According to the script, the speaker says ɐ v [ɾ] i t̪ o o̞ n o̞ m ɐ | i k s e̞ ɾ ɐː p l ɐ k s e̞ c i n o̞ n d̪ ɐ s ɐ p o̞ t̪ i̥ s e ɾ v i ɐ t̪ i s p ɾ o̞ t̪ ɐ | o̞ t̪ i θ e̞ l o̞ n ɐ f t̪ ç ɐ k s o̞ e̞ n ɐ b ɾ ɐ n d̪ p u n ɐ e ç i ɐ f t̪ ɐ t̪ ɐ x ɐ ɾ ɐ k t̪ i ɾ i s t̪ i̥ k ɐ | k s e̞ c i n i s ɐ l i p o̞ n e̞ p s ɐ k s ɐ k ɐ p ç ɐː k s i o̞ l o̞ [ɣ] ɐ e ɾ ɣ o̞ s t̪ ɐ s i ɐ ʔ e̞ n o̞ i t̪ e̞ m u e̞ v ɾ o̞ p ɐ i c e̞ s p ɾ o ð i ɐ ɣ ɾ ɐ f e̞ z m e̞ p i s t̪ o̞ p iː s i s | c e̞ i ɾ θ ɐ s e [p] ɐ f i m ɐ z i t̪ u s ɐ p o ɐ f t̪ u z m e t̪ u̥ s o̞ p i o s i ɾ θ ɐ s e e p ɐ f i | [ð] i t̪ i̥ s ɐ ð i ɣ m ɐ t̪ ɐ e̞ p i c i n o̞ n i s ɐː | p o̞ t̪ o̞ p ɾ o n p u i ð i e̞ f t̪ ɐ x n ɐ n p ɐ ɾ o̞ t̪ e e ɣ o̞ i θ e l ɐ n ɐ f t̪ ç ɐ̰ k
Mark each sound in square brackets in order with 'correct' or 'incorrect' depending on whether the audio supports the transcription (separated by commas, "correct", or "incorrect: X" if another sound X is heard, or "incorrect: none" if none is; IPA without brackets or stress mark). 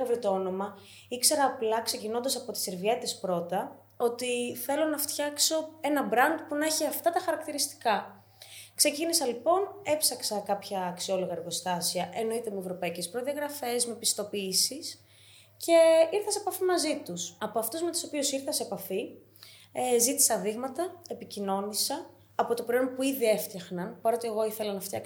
correct, correct, correct, incorrect: z